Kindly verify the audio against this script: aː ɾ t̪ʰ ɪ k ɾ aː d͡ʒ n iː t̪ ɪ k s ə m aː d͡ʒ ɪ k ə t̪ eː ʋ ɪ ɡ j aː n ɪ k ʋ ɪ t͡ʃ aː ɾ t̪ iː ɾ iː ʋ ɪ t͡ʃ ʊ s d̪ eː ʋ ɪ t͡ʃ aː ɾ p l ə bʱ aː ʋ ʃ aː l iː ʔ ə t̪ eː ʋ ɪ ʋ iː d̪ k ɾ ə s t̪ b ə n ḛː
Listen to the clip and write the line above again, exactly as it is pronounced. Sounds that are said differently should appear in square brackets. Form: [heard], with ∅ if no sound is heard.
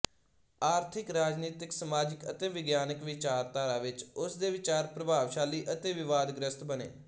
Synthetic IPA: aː ɾ t̪ʰ ɪ k ɾ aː d͡ʒ n iː t̪ ɪ k s ə m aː d͡ʒ ɪ k ə t̪ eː ʋ ɪ ɡ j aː n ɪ k ʋ ɪ t͡ʃ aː ɾ t̪ [aː] ɾ [aː] ʋ ɪ t͡ʃ ʊ s d̪ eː ʋ ɪ t͡ʃ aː ɾ p [ɾ] ə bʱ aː ʋ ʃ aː l iː ʔ ə t̪ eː ʋ ɪ ʋ [aː] d̪ [ɡ] ɾ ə s t̪ b ə n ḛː

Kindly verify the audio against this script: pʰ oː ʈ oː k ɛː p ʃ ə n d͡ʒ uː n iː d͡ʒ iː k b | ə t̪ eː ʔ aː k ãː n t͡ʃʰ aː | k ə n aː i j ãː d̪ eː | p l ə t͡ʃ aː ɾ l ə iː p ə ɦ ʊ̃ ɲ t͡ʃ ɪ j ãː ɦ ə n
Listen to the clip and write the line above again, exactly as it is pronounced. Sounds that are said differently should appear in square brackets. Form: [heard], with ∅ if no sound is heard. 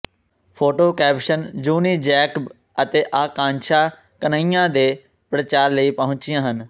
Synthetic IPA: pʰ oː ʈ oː k ɛː p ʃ ə n d͡ʒ uː n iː d͡ʒ [ɛː] k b | ə t̪ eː ʔ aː k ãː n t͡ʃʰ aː | k ə n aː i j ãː d̪ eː | p [ɾ] ə t͡ʃ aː ɾ l ə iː p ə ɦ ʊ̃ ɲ t͡ʃ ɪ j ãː ɦ ə n

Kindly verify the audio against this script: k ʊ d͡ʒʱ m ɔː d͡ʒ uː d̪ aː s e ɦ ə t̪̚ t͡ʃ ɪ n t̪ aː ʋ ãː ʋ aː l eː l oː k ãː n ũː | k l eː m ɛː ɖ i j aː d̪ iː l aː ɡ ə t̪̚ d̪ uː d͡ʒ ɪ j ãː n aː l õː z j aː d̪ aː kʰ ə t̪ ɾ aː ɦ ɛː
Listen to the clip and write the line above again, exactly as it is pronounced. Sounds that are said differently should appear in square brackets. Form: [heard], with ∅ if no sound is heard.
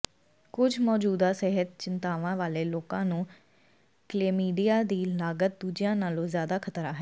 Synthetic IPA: k ʊ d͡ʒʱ m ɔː d͡ʒ uː d̪ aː s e ɦ ə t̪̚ t͡ʃ ɪ n t̪ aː ʋ ãː ʋ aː l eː l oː k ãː n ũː | k l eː m [iː] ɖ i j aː d̪ iː l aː ɡ ə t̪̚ d̪ uː d͡ʒ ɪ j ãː n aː l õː z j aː d̪ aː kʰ ə t̪ ɾ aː ɦ ɛː

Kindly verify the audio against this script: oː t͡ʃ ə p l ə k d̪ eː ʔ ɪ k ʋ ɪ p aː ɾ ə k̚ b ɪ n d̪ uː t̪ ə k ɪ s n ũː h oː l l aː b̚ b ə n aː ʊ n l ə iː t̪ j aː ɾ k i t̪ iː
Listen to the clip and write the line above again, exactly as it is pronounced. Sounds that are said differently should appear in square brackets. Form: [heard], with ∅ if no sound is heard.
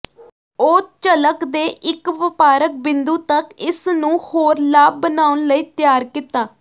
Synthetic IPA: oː t͡ʃ ə [∅] l ə k d̪ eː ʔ ɪ k ʋ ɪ p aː ɾ ə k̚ b ɪ n d̪ uː t̪ ə k ɪ s n ũː h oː [ɾ] l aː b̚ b ə n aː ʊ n l ə iː t̪ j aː ɾ k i t̪ [aː]

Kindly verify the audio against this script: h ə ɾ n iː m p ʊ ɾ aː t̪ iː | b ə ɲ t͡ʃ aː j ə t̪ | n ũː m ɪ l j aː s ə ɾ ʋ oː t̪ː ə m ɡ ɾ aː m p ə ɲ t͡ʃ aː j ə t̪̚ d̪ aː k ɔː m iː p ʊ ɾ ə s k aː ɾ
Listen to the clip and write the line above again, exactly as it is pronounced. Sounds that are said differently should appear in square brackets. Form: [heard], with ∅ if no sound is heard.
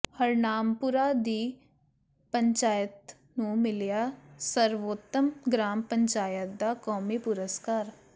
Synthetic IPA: h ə ɾ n [aː] m p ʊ ɾ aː [d̪] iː | [p] ə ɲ t͡ʃ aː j ə t̪ | n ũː m ɪ l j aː s ə ɾ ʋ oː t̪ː ə m ɡ ɾ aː m p ə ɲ t͡ʃ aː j ə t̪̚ d̪ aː k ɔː m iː p ʊ ɾ ə s k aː ɾ

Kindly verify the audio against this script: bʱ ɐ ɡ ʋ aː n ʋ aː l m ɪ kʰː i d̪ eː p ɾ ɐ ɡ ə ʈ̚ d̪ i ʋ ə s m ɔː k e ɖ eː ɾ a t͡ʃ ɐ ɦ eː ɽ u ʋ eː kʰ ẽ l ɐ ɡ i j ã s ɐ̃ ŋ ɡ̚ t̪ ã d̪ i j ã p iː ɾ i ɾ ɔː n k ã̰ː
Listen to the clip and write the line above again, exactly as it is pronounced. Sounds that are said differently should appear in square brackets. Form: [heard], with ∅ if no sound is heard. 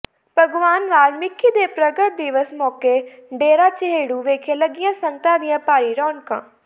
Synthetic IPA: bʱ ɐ ɡ ʋ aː n ʋ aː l m ɪ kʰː i d̪ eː p ɾ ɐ ɡ ə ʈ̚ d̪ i ʋ ə s m ɔː k e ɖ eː ɾ a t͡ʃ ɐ ɦ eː ɽ u ʋ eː kʰ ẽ l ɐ ɡ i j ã s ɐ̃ ŋ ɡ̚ t̪ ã d̪ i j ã p [aː] ɾ i ɾ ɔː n k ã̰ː

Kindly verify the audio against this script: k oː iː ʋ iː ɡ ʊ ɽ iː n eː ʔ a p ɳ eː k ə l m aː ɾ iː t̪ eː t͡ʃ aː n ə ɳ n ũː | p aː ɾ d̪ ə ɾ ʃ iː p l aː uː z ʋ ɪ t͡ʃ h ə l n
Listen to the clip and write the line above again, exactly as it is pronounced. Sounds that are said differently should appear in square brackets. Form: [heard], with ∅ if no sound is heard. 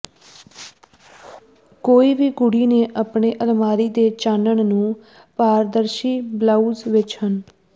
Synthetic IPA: k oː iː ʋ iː ɡ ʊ ɽ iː n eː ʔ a p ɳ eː [ʔ] ə l m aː ɾ iː [d̪] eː t͡ʃ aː n ə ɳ n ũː | p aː ɾ d̪ ə ɾ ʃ iː [b] l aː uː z ʋ ɪ t͡ʃ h ə [∅] n

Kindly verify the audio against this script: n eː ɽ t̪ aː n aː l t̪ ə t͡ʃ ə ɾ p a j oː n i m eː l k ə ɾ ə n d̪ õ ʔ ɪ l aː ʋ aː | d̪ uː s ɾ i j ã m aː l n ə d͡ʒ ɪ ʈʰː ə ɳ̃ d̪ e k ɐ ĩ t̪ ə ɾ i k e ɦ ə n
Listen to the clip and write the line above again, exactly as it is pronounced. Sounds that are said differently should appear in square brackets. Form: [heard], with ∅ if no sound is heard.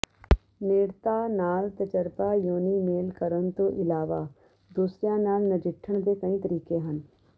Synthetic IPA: n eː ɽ t̪ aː n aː l t̪ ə t͡ʃ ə ɾ p a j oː n i m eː l k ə ɾ ə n [t̪] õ ʔ ɪ l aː ʋ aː | d̪ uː s ɾ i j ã [n] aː l n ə d͡ʒ ɪ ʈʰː ə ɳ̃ d̪ e k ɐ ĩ t̪ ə ɾ [iː] k e ɦ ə n

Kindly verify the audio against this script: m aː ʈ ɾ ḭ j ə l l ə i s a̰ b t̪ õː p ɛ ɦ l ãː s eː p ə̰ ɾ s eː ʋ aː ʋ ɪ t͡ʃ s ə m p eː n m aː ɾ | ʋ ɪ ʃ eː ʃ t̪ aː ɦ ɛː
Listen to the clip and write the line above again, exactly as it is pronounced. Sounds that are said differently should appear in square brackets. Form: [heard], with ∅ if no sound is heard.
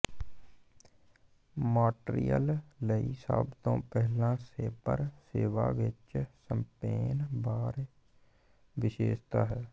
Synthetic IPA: m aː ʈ ɾ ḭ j ə l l ə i s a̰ b t̪ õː p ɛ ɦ l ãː s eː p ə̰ ɾ s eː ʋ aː ʋ ɪ t͡ʃ s ə m p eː n [b] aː ɾ | ʋ ɪ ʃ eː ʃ t̪ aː ɦ ɛː

